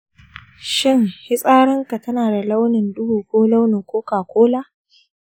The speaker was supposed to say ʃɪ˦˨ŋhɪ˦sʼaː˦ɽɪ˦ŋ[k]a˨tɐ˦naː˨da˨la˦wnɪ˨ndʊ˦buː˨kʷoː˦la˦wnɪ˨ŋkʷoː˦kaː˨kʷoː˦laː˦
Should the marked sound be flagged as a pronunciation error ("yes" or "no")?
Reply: no